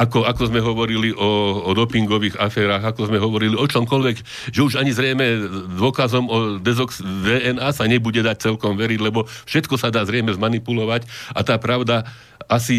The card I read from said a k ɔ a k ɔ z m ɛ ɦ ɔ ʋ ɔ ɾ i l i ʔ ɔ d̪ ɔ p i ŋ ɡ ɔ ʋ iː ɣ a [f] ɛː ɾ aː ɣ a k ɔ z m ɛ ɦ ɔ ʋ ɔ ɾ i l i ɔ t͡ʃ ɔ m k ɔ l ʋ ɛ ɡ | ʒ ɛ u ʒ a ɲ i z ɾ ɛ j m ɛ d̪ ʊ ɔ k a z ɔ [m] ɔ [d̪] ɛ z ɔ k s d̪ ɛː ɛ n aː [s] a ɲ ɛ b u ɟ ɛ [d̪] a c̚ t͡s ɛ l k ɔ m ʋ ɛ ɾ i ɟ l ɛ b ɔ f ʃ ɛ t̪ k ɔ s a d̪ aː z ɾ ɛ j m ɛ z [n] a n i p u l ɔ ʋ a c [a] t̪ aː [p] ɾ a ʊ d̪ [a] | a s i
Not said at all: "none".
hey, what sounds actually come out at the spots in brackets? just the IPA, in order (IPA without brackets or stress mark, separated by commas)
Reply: f, m, d̪, s, d̪, m, a, p, a